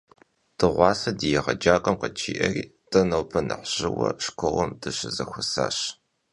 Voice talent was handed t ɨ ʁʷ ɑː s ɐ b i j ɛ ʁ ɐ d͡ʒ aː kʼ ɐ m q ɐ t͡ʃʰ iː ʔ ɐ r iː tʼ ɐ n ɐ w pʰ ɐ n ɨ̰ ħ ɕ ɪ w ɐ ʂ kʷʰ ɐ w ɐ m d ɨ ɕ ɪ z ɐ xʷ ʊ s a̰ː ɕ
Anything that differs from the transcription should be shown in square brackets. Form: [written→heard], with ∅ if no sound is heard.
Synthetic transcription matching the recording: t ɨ ʁʷ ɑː s ɐ [b→d] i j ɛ ʁ ɐ d͡ʒ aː kʼ ɐ m q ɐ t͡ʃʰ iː ʔ ɐ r iː tʼ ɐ n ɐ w pʰ ɐ n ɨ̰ ħ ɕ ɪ w ɐ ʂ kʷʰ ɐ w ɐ m d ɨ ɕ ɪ z ɐ xʷ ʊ s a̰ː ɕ